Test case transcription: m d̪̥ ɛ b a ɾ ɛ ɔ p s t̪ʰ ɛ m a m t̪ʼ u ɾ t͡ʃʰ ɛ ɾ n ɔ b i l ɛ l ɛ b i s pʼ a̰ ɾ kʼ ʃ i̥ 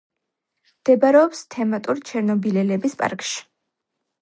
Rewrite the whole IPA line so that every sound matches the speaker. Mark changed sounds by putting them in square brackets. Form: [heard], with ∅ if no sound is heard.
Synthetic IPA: m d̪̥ ɛ b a ɾ ɛ ɔ p s t̪ʰ ɛ m a [∅] t̪ʼ u ɾ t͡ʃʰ ɛ ɾ n ɔ b i l ɛ l ɛ b i s pʼ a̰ ɾ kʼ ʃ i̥